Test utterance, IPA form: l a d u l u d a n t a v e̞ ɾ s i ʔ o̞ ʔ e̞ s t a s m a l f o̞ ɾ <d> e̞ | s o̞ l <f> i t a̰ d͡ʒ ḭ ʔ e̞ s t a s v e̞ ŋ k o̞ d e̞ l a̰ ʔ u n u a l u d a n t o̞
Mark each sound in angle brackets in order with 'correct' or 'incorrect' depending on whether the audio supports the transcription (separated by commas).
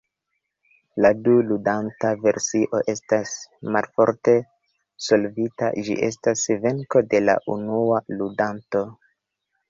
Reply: incorrect, incorrect